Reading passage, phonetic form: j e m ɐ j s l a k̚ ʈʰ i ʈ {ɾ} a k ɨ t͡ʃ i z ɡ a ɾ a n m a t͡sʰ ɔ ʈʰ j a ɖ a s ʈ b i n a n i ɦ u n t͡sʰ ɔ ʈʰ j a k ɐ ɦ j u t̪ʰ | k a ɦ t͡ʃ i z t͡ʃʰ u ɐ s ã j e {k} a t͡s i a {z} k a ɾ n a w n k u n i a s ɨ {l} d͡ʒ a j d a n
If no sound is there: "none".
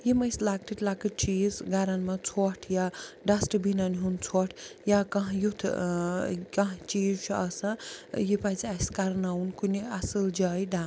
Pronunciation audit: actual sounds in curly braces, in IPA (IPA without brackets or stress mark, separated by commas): l, p, s, l